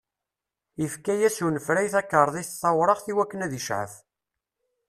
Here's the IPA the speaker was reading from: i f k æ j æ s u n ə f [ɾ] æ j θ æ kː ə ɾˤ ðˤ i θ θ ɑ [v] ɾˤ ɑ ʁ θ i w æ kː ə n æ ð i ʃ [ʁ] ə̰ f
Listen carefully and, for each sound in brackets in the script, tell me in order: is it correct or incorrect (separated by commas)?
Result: correct, incorrect, incorrect